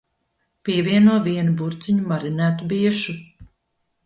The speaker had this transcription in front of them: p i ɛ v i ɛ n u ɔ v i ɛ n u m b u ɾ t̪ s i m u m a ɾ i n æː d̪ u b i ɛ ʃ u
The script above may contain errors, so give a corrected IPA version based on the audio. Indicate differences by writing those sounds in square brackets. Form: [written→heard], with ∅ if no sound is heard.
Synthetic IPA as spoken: p i ɛ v i ɛ n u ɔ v i ɛ n u [m→∅] b u ɾ t̪ s i [m→ɲ] u m a ɾ i n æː [d̪→t̪] u b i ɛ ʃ u